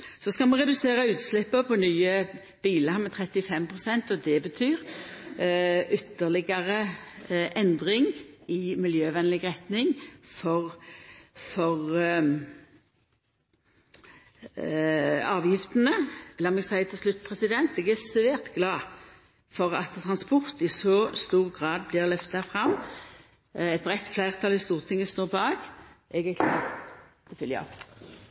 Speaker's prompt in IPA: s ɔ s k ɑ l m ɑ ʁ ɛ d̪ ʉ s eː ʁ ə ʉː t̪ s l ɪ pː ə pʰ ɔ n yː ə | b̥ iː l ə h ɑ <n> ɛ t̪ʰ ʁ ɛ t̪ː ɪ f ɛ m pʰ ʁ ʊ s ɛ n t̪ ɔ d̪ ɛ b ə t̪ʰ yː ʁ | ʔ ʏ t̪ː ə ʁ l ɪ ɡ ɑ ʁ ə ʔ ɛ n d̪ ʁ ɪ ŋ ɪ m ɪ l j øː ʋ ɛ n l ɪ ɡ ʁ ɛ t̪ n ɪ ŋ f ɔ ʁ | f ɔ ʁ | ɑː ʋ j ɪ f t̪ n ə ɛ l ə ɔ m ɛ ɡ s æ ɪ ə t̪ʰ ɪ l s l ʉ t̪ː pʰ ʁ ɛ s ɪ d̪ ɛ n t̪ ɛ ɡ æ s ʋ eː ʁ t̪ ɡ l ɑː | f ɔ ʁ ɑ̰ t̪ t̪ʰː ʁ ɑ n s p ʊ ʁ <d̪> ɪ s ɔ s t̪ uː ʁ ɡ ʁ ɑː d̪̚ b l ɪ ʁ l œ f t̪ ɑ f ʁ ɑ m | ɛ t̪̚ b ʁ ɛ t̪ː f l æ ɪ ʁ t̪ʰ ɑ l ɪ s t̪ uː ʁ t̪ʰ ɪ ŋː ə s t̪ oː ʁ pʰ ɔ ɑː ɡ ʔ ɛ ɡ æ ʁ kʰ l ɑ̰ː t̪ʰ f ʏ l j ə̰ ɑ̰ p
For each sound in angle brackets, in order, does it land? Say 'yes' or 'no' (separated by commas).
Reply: no, no